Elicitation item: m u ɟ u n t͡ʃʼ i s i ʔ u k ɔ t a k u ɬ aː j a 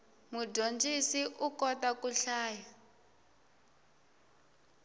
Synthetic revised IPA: m u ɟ o n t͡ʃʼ i s i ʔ u k ɔ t a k u ɬ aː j a